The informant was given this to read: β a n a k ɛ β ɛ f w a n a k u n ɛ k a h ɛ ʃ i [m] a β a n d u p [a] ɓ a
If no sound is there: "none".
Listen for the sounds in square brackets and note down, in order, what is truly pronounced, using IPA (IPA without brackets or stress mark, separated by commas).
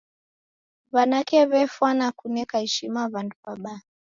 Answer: m, a